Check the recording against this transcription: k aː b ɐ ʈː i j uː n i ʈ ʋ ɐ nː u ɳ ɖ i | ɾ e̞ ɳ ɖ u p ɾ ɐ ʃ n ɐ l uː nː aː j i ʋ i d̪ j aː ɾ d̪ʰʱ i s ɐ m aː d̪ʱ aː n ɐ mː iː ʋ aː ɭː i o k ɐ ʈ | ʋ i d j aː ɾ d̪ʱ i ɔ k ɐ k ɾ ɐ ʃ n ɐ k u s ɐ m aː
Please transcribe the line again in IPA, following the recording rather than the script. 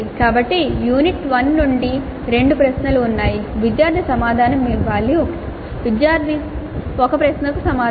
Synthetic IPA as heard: k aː b ɐ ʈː i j uː n i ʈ ʋ ɐ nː u ɳ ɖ i | ɾ e̞ ɳ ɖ u p ɾ ɐ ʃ n ɐ l uː nː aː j i ʋ i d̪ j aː ɾ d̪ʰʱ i s ɐ m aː d̪ʱ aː n ɐ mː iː ʋ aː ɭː i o k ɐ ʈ | ʋ i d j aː ɾ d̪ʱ i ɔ k ɐ p ɾ ɐ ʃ n ɐ k u s ɐ m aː